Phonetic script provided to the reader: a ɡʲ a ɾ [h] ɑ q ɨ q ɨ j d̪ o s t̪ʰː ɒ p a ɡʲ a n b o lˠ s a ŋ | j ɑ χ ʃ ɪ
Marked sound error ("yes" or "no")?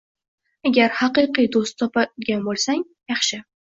no